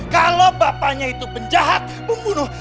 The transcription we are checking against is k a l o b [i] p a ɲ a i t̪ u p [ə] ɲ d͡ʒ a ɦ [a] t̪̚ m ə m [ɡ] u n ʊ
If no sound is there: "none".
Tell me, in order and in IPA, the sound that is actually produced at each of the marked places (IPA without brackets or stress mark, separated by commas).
a, ə, a, b